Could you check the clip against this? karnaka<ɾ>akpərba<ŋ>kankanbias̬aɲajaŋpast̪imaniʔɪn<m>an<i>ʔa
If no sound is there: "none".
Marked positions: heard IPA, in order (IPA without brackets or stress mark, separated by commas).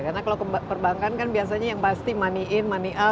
l, ŋ, m, i